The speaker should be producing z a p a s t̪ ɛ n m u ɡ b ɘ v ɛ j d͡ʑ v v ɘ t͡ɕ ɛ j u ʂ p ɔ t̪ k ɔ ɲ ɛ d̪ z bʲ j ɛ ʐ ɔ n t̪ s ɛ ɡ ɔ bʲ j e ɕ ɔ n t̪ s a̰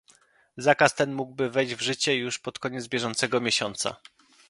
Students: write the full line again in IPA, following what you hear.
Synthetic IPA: z a k a s t̪ ɛ n m u ɡ b ɘ v ɛ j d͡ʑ v ʐ ɘ t͡ɕ ɛ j u ʂ p ɔ t̪ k ɔ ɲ ɛ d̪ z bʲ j ɛ ʐ ɔ n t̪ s ɛ ɡ ɔ mʲ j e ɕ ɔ n t̪ s a̰